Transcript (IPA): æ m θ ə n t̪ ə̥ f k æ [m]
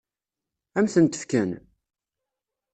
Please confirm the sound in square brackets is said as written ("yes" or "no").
no